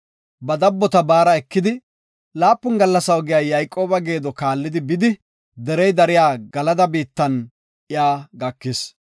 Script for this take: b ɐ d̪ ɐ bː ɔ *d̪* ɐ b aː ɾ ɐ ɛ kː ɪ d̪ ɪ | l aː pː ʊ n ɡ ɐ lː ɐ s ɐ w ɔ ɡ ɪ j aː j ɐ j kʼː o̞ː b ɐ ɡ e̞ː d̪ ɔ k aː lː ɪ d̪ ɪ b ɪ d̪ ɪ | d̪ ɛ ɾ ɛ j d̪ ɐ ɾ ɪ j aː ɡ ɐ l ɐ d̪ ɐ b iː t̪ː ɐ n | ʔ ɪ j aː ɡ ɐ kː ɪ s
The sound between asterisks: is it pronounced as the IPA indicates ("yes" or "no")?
no